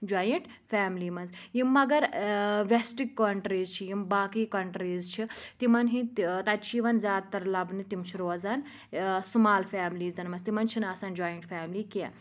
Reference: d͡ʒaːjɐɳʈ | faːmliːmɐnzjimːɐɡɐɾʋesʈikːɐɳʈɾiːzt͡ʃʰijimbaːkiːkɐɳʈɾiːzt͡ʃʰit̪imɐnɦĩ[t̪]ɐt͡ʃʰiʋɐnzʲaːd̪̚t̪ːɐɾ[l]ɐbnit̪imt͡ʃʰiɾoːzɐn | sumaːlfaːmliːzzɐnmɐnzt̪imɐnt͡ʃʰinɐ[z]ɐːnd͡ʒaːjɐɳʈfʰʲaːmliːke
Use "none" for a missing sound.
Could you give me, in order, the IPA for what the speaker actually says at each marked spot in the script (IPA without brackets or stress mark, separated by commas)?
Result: t̪, l, s